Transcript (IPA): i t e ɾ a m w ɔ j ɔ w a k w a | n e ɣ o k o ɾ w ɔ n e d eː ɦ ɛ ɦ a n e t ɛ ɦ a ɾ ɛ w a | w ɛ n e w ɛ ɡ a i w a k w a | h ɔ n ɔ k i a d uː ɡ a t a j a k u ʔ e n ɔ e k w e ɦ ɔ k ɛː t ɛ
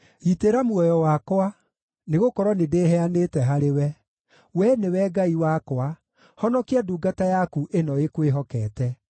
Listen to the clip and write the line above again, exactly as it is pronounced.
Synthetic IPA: i t e ɾ a m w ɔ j ɔ w a k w a | n e ɣ o k ɔ ɾ w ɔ n e d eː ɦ ɛ a n e t ɛ ɦ a ɾ e w ɛ | w ɛ n e w ɛ ɡ a i w a k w a | h ɔ n ɔ k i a d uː ɡ a t a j a k u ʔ e n ɔ e k w e ɦ ɔ k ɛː t ɛ